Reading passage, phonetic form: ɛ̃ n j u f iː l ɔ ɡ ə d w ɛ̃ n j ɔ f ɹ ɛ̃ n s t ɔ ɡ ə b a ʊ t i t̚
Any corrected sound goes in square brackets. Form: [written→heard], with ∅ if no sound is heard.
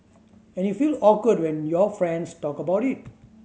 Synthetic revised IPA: ɛ̃ n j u f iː l ɔ [ɡ→k] ə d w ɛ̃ n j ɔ f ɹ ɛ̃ n s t ɔ [ɡ→k] ə b a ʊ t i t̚